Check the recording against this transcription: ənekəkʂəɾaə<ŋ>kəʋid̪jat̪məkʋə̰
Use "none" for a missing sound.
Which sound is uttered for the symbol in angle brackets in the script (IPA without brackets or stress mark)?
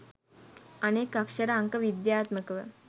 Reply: ŋ